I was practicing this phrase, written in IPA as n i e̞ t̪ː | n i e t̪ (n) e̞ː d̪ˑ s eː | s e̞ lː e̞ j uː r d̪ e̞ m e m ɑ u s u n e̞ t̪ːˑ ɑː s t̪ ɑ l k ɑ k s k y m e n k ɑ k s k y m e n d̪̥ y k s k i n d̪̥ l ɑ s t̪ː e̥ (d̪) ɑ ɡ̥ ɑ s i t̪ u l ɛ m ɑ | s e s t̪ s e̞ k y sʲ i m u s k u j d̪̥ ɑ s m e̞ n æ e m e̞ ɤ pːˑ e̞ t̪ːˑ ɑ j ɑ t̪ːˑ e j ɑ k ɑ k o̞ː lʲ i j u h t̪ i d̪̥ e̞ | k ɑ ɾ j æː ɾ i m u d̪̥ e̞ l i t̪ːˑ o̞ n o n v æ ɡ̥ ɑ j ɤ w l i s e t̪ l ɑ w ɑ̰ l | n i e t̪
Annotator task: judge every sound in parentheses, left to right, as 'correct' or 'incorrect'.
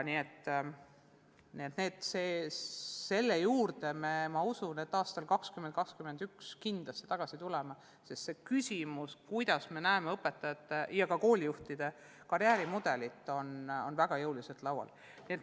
correct, incorrect: t̪

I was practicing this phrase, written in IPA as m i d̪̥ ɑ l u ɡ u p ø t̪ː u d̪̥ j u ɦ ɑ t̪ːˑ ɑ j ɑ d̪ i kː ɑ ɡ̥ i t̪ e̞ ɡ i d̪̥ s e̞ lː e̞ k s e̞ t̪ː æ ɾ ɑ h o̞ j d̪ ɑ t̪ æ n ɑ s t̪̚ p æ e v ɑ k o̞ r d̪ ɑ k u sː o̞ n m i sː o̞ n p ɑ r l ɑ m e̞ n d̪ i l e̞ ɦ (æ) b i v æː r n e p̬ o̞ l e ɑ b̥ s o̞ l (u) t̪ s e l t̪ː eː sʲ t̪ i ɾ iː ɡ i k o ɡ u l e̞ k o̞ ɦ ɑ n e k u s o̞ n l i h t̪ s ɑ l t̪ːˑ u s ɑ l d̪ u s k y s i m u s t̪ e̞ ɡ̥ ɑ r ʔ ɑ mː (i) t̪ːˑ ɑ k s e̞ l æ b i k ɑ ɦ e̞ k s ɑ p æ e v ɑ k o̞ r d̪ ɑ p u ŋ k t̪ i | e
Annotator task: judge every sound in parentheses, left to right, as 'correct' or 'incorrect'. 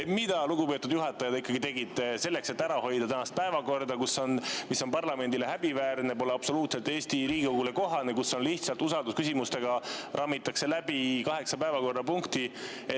correct, incorrect: uː, correct

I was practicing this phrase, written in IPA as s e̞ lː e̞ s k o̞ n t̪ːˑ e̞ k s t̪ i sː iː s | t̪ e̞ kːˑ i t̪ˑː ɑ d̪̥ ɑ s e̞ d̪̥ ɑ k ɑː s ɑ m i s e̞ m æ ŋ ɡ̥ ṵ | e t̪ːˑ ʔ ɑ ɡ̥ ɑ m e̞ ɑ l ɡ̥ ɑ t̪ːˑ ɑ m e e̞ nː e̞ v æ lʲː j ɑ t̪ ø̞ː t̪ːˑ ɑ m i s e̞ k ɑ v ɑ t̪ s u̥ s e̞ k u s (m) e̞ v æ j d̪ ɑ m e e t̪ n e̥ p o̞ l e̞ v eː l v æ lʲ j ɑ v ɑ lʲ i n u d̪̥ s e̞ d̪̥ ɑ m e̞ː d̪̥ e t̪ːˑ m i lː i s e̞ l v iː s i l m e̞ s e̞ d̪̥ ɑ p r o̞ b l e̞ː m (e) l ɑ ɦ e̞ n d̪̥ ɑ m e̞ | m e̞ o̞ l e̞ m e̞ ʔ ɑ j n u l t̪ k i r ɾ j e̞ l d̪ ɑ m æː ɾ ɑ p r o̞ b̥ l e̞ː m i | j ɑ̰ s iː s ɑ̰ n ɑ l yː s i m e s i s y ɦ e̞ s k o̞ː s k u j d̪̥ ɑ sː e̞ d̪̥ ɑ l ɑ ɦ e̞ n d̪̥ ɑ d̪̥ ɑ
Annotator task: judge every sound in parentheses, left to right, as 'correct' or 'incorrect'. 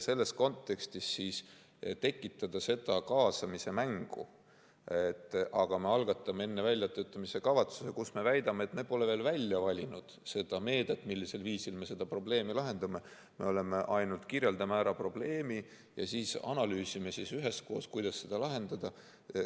correct, incorrect: i

